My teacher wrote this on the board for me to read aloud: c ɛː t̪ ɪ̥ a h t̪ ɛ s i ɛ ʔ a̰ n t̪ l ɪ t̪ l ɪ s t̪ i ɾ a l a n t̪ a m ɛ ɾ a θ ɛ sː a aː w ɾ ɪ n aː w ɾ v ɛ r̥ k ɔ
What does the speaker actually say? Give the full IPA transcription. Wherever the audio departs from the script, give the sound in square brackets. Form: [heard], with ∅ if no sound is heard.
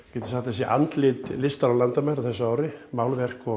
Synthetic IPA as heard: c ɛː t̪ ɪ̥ a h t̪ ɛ s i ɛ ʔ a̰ n t̪ l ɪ t̪ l ɪ s t̪ [a] ɾ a l a n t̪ a m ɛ ɾ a θ ɛ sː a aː w ɾ ɪ [m] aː w [l] v ɛ r̥ k ɔ